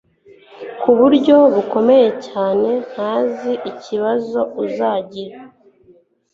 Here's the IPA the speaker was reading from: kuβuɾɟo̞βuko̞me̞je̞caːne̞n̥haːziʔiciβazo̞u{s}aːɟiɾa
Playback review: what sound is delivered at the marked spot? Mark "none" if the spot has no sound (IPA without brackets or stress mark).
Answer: z